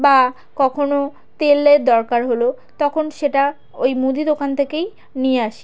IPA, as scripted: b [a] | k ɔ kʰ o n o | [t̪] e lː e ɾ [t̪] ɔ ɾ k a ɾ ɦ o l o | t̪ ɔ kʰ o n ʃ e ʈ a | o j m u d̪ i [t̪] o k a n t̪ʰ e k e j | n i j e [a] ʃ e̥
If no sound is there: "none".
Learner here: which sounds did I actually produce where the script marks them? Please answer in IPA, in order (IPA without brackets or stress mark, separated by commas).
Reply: a, t̪, d̪, d̪, a